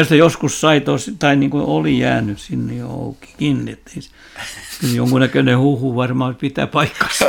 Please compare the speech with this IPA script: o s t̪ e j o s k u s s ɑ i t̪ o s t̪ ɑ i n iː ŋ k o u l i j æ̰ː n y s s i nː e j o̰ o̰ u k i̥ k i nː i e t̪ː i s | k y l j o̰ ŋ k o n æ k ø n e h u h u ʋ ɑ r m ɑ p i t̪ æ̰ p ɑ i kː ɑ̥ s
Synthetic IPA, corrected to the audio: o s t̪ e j o s k u s s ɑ i t̪ o s t̪ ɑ i n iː ŋ k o o l i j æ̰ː n y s s i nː e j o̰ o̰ u k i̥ k i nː i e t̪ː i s | k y l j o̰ ŋ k u n æ k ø n e h u h u ʋ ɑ r m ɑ p i t̪ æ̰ p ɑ i kː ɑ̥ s